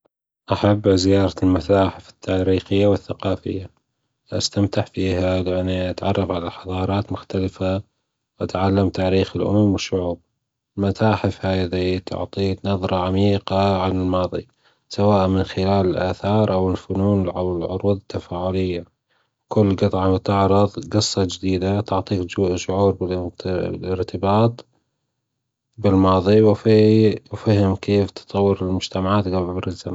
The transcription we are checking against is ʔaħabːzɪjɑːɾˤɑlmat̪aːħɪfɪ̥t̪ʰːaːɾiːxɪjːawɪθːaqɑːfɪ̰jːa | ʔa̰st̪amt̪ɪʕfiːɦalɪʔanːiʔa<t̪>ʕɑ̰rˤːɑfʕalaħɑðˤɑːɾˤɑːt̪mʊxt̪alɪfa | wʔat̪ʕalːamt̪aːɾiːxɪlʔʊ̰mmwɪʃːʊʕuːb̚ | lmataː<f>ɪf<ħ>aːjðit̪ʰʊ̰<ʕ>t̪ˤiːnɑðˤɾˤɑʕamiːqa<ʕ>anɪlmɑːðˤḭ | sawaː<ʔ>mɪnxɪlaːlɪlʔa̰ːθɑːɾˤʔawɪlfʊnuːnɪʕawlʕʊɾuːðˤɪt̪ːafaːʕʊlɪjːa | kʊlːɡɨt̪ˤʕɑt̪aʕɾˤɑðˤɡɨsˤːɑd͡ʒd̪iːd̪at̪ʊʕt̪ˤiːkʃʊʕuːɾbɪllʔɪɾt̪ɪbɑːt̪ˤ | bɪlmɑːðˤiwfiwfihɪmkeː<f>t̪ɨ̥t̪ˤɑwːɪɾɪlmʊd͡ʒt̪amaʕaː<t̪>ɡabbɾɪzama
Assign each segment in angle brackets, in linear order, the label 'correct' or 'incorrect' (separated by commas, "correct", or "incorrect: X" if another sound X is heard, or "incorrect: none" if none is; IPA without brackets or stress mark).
correct, incorrect: ħ, incorrect: h, correct, correct, correct, correct, correct